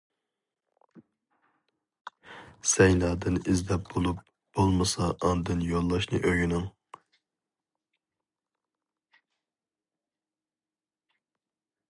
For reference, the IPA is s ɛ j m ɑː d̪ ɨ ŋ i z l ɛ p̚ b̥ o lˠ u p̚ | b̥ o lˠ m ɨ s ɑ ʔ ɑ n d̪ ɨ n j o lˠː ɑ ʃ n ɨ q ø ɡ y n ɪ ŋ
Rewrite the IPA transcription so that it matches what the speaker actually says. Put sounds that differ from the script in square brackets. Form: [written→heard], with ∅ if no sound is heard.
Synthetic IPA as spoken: s ɛ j [m→n] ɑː d̪ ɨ [ŋ→n] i z l ɛ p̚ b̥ o lˠ u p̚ | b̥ o lˠ m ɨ s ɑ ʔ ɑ n d̪ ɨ n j o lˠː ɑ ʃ n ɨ [q→ʔ] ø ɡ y n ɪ ŋ